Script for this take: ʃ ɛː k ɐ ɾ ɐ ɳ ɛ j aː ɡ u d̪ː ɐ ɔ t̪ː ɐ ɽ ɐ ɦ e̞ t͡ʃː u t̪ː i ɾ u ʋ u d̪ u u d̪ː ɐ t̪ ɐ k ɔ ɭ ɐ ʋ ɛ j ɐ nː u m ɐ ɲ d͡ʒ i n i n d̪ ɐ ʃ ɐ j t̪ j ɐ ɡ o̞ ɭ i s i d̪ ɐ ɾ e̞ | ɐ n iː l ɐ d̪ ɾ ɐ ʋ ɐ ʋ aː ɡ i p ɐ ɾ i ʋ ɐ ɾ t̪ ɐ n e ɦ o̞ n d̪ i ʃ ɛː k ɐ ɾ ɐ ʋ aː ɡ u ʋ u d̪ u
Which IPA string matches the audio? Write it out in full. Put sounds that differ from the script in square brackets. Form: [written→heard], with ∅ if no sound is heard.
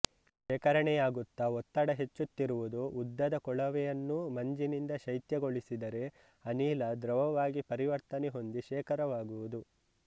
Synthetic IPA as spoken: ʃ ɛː k ɐ ɾ ɐ ɳ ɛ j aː ɡ u [d̪ː→t̪ː] ɐ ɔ t̪ː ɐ ɽ ɐ ɦ e̞ t͡ʃː u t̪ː i ɾ u ʋ u d̪ u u d̪ː ɐ [t̪→d̪] ɐ k ɔ ɭ ɐ ʋ ɛ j ɐ nː u m ɐ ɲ d͡ʒ i n i n d̪ ɐ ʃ ɐ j t̪ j ɐ ɡ o̞ ɭ i s i d̪ ɐ ɾ e̞ | ɐ n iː l ɐ d̪ ɾ ɐ ʋ ɐ ʋ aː ɡ i p ɐ ɾ i ʋ ɐ ɾ t̪ ɐ n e ɦ o̞ n d̪ i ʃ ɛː k ɐ ɾ ɐ ʋ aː ɡ u ʋ u d̪ u